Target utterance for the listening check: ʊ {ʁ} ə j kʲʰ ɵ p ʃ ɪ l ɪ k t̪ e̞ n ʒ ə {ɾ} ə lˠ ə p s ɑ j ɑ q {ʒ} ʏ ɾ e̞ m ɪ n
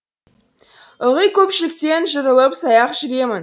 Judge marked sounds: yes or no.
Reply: yes, yes, yes

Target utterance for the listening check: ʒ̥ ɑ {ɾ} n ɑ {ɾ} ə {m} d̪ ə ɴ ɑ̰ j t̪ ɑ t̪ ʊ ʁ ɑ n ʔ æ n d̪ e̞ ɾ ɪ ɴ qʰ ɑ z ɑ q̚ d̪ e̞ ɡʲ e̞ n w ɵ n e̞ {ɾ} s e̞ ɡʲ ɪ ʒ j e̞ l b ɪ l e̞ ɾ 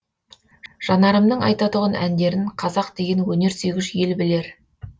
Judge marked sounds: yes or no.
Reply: no, yes, yes, yes

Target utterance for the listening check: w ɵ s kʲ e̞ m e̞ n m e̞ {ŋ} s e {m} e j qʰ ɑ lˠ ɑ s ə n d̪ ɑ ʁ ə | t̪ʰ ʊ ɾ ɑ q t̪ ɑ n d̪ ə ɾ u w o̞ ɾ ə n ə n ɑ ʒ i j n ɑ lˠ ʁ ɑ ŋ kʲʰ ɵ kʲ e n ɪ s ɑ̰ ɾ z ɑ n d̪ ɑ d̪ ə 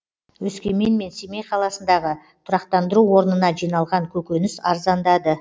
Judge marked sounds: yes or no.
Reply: no, yes

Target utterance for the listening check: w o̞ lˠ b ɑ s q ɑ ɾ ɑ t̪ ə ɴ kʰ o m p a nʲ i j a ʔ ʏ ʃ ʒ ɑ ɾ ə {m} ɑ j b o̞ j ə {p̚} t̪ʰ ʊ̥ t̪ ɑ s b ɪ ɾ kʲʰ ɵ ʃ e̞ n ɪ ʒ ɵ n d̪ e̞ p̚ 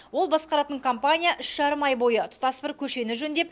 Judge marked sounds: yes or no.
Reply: yes, no

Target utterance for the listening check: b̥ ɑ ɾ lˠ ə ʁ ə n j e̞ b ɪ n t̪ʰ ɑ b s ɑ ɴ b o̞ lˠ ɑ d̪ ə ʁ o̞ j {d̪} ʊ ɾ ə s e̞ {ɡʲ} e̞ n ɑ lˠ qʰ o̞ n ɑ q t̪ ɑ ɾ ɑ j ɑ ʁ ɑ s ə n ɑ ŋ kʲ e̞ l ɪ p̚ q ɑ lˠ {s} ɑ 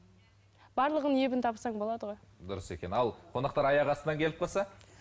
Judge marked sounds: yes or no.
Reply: yes, no, yes

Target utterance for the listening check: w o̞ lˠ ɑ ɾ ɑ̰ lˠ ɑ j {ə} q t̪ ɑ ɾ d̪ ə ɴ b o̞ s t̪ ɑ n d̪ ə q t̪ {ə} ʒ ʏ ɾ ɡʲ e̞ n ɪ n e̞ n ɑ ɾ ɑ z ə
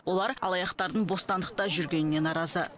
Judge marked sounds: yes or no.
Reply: no, no

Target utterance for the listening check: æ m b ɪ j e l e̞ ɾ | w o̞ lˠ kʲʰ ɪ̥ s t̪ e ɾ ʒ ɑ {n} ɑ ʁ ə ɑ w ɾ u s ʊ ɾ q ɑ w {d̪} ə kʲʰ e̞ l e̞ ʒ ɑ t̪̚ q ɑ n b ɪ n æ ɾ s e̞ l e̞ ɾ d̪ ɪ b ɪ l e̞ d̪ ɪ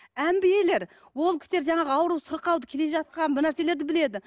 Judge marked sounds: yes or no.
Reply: no, yes

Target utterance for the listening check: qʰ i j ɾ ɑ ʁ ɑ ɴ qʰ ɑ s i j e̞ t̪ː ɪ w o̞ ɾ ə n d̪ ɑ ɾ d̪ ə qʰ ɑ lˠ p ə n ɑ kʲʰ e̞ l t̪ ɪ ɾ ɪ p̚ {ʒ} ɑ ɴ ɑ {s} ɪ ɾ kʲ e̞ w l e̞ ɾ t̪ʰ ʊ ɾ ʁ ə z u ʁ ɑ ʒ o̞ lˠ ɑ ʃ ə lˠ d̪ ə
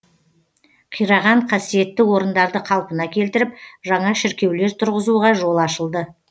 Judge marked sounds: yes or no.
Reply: yes, no

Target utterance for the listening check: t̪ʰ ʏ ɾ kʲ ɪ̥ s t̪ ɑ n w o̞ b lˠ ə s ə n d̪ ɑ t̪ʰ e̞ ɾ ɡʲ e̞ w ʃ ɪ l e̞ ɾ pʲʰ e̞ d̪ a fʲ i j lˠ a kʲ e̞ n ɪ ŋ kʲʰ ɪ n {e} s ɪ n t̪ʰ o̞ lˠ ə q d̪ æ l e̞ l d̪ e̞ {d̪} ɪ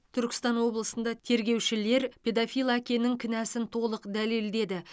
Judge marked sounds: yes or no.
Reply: no, yes

